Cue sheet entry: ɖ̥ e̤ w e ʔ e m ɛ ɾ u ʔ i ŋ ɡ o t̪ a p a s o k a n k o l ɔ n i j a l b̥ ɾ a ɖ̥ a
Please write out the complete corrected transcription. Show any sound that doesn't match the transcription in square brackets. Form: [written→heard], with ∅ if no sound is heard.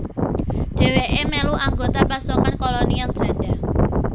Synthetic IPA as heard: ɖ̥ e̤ w e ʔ e m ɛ [ɾ→l] u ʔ [i→a] ŋ ɡ o t̪ a p a s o k a n k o l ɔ n i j a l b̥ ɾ a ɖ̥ a